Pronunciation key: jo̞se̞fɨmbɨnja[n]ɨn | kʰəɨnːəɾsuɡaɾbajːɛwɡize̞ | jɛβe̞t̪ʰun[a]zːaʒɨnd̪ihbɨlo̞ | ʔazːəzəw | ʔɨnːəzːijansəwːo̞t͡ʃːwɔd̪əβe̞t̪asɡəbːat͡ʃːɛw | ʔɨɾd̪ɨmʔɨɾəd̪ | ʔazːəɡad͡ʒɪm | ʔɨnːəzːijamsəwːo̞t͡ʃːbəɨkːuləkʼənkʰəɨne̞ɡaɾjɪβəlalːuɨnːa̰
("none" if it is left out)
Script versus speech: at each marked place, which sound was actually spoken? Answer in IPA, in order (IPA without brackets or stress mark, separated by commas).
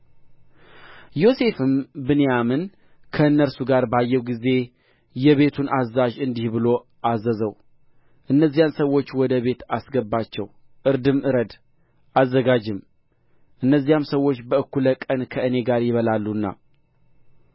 m, a